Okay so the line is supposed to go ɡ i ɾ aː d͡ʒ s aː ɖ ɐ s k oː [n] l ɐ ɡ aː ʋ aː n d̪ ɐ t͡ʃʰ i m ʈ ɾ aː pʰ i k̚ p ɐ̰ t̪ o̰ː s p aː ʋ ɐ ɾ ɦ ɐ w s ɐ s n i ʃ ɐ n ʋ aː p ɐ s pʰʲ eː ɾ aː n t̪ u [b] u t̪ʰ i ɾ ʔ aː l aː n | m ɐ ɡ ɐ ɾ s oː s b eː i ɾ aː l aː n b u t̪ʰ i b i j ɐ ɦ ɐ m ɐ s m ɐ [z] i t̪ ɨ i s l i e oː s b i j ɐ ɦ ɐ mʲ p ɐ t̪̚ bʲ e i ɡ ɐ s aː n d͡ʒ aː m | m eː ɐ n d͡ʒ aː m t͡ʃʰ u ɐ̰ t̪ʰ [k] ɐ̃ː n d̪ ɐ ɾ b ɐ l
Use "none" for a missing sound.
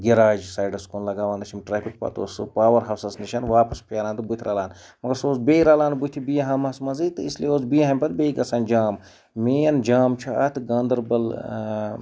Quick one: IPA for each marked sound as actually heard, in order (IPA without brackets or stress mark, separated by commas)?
n, b, z, ɡ